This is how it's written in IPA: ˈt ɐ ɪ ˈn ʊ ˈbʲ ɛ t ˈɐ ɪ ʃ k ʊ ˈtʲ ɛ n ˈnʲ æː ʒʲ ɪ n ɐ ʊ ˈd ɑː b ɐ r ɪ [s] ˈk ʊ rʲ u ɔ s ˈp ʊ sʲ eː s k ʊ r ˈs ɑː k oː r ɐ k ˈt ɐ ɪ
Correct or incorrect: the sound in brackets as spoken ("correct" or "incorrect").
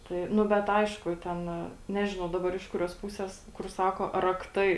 incorrect